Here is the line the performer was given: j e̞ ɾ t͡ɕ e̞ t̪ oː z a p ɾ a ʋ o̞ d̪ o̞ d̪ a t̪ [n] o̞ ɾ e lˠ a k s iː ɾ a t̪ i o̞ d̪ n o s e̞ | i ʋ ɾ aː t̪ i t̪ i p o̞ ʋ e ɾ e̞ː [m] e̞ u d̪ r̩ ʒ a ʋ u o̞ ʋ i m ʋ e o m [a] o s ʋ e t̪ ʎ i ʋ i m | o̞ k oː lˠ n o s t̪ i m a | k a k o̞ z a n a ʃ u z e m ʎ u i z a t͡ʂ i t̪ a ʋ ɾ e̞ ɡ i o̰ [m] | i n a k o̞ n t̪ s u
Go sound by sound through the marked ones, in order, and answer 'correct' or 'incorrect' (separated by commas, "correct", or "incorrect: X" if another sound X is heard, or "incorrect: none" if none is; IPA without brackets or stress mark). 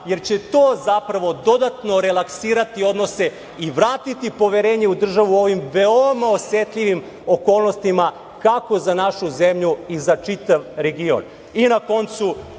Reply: correct, incorrect: ɲ, correct, incorrect: n